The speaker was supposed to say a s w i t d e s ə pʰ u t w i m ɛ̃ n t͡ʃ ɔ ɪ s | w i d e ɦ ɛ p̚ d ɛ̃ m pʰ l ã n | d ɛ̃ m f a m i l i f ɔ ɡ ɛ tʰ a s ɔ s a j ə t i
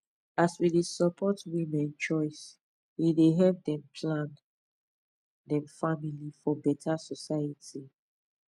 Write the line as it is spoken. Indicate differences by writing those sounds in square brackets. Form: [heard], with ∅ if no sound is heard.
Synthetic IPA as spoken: a s w i [∅] d e s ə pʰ [ɔ] t w i m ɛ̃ n t͡ʃ ɔ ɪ s | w i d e ɦ ɛ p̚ d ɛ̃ m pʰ l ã n | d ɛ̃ m f a m i l i f ɔ [b] ɛ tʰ a s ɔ s a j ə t i